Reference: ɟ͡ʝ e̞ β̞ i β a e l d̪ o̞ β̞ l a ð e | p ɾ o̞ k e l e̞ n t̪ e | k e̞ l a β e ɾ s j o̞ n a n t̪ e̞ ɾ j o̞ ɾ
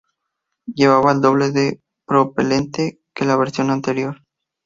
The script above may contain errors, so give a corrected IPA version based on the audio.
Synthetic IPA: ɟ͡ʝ e̞ β̞ a β a e l d̪ o̞ β̞ l e ð e | p ɾ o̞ p e l e̞ n t̪ e | k e̞ l a β e ɾ s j o̞ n a n t̪ e̞ ɾ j o̞ ɾ